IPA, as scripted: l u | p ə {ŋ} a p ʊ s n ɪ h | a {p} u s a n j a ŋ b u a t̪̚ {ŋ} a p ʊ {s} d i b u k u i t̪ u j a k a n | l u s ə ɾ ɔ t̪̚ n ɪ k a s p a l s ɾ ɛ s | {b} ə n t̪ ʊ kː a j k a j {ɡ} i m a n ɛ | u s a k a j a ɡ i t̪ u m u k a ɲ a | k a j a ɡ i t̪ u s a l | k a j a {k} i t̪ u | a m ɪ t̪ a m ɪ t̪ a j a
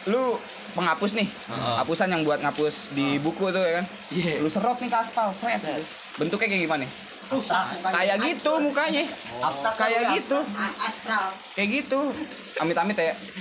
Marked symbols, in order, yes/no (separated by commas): yes, yes, yes, yes, yes, yes, no